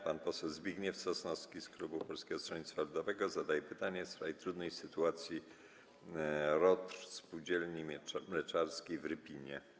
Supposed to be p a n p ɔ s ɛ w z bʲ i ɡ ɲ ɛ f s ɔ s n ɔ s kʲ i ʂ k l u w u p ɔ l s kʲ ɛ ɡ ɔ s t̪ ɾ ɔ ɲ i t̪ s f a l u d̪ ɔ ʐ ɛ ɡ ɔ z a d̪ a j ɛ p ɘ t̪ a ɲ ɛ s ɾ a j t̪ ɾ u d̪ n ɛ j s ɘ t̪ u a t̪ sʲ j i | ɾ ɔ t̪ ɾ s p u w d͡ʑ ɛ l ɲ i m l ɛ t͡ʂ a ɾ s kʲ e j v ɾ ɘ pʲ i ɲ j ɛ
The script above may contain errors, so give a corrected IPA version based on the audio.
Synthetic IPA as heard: p a n p ɔ s ɛ w z bʲ i ɡ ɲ ɛ f s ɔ s n ɔ s kʲ i s k l u b u p ɔ l s kʲ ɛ ɡ ɔ s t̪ ɾ ɔ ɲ i t̪ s f a l u d̪ ɔ v ɛ ɡ ɔ z a d̪ a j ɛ p ɘ t̪ a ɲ ɛ s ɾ a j t̪ ɾ u d̪ n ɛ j s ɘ t̪ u a t̪ sʲ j i | ɾ ɔ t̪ ɾ s p u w d͡ʑ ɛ l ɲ i m l ɛ t͡ʂ a ɾ s kʲ e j v ɾ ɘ pʲ i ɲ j ɛ